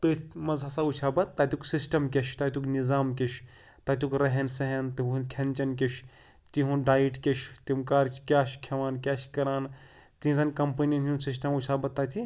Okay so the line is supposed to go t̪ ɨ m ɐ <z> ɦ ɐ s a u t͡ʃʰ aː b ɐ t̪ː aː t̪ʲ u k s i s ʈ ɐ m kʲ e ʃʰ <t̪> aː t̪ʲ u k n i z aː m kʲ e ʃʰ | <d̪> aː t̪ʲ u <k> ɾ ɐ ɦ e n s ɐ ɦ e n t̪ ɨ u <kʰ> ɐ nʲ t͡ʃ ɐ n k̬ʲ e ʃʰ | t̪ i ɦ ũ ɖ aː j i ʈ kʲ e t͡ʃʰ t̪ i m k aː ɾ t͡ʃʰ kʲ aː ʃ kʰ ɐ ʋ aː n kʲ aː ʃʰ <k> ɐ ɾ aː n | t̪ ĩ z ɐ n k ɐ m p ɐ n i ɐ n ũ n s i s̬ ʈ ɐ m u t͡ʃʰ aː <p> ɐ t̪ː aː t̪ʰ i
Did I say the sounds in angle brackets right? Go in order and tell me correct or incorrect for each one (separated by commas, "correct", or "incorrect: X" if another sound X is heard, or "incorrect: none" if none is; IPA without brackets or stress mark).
correct, correct, incorrect: t̪, correct, correct, correct, incorrect: b